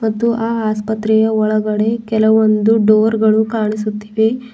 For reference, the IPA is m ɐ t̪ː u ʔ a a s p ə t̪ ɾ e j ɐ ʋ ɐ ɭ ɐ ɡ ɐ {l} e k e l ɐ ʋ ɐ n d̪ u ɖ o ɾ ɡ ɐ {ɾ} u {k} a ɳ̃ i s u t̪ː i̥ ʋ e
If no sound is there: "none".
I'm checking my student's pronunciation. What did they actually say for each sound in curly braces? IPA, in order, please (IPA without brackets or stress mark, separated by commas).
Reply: ɽ, ɭ, k